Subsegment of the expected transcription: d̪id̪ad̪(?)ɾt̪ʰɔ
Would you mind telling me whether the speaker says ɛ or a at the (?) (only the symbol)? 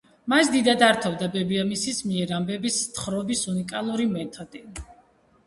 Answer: a